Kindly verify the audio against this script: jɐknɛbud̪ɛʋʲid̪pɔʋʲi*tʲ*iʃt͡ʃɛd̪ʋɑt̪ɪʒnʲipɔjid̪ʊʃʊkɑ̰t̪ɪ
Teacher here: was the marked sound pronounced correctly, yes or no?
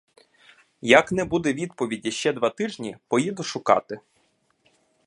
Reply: no